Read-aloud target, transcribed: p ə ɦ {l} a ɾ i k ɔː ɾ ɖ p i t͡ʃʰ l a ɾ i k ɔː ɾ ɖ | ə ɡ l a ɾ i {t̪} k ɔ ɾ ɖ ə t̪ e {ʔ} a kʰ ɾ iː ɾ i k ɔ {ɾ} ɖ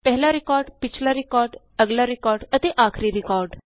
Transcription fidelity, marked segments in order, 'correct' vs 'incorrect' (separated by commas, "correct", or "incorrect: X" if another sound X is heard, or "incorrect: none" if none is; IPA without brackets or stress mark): correct, incorrect: none, correct, correct